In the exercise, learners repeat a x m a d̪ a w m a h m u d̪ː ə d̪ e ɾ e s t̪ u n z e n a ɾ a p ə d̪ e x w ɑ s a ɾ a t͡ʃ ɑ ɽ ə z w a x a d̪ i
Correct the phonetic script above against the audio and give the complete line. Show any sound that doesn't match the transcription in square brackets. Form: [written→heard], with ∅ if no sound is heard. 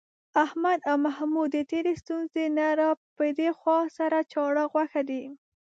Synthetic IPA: a [x→h] m a d̪ a w m a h m u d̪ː ə [d̪→t̪] e ɾ e s t̪ u n z e n a ɾ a p ə d̪ e x w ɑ s a ɾ a t͡ʃ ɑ ɽ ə [z→ɣ] w a x a d̪ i